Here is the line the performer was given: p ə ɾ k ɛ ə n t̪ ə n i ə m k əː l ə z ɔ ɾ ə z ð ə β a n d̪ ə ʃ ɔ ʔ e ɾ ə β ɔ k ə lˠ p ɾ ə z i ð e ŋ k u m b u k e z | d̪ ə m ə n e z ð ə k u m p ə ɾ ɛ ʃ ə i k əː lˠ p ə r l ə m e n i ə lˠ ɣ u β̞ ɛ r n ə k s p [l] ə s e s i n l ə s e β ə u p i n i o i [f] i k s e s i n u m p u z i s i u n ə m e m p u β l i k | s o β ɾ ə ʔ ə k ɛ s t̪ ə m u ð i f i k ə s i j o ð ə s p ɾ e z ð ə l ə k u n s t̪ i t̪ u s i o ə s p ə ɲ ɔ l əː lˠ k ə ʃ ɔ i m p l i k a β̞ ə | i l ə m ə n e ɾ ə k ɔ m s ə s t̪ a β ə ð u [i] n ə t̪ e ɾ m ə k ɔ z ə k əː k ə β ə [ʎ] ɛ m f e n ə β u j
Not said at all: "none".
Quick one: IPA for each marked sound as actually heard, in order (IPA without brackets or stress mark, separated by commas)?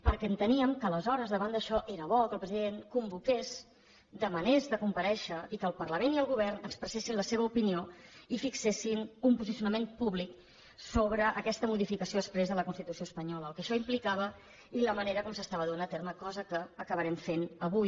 ɾ, f, a, ɾ